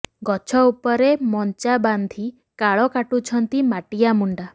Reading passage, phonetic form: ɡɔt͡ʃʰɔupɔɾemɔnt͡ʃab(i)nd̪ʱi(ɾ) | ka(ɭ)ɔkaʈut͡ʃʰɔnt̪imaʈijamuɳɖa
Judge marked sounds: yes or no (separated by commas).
no, no, yes